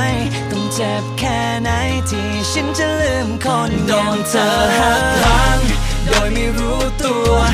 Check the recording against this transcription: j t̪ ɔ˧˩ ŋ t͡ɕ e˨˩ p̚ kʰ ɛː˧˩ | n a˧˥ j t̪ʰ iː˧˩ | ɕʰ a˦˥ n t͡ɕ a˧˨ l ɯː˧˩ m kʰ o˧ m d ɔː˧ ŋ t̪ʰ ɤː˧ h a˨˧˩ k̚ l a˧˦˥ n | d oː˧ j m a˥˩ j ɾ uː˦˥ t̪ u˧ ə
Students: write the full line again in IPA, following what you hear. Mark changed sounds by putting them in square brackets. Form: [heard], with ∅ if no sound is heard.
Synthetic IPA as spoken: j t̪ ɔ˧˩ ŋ t͡ɕ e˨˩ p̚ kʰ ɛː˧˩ | n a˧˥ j t̪ʰ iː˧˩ | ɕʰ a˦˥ n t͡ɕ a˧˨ l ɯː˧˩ m kʰ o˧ [n] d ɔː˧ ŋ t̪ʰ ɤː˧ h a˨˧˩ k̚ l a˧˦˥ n | d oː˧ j m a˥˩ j ɾ uː˦˥ t̪ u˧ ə